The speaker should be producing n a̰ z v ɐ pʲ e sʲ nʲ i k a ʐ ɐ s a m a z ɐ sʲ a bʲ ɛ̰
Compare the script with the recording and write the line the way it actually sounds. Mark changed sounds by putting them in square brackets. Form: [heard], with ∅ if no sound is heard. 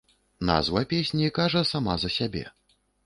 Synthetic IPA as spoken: n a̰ z v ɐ pʲ e sʲ nʲ i k a ʐ ɐ s a m a z ɐ sʲ a bʲ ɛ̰